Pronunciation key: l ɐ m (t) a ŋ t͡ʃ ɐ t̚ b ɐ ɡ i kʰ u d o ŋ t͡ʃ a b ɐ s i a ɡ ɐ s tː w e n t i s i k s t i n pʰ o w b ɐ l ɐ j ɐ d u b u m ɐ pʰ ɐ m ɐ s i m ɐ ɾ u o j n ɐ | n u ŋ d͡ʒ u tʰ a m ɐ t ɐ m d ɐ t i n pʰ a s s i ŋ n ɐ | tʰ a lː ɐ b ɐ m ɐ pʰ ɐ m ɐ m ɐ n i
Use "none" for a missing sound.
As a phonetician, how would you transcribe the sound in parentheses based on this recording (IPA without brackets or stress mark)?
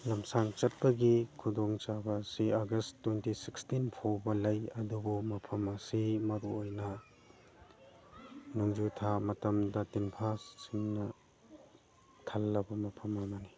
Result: s